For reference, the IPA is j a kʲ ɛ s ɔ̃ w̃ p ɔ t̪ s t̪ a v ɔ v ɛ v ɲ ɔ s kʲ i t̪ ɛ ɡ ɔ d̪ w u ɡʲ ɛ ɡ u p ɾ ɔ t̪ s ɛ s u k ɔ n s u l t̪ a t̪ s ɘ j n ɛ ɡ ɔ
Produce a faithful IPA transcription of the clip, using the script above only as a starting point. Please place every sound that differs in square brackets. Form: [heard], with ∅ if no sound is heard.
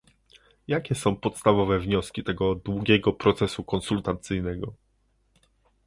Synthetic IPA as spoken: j a kʲ ɛ s ɔ̃ w̃ p ɔ t̪ s t̪ a v ɔ v ɛ v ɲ ɔ s kʲ i t̪ ɛ ɡ ɔ d̪ w u ɡʲ ɛ ɡ [ɔ] p ɾ ɔ t̪ s ɛ s u k ɔ n s u l t̪ a t̪ s ɘ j n ɛ ɡ ɔ